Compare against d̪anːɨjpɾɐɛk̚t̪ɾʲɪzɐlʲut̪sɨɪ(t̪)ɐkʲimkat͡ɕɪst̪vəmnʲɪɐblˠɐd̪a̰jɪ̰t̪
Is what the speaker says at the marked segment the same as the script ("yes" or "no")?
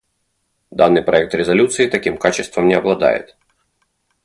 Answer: yes